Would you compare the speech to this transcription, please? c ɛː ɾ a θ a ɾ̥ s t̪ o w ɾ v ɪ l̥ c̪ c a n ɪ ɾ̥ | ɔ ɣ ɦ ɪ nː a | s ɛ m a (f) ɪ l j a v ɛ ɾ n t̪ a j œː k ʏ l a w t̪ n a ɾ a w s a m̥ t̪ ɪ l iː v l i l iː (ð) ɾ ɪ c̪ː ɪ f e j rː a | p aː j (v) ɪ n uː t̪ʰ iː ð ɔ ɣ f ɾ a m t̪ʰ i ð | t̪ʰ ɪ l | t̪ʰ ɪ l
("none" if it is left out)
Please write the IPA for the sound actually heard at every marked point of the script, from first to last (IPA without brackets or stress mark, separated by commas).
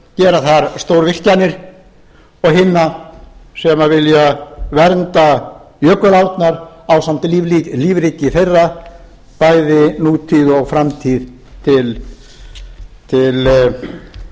v, v, ð